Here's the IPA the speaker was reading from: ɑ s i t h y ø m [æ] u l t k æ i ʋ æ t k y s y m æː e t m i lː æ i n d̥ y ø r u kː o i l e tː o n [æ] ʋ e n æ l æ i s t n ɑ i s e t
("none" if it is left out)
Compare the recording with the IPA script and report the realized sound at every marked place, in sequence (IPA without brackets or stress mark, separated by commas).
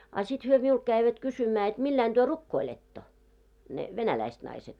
i, e